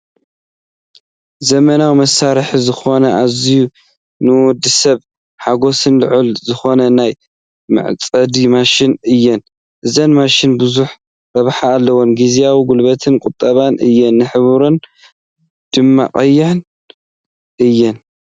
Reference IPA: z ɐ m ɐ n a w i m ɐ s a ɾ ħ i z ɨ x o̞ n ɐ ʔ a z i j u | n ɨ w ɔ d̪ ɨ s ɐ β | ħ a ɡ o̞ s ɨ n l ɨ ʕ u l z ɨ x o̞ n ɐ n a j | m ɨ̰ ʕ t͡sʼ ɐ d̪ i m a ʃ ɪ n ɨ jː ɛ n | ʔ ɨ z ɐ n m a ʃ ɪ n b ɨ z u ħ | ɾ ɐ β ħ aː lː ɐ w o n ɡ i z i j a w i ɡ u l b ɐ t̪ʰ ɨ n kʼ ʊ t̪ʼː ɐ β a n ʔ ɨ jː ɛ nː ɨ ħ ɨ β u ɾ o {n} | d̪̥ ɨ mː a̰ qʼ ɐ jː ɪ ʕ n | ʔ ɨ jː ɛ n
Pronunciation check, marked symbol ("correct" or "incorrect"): correct